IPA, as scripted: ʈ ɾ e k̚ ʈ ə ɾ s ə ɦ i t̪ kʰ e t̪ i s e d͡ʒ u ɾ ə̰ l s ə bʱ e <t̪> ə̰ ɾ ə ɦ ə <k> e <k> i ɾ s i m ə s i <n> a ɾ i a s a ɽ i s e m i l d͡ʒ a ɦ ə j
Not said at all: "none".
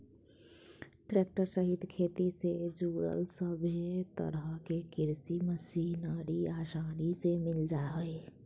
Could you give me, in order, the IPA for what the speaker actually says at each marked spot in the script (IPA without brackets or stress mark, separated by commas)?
t̪, k, k, n